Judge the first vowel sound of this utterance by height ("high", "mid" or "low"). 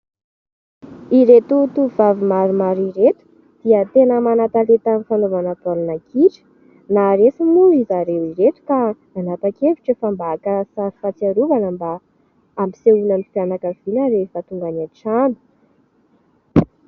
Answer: high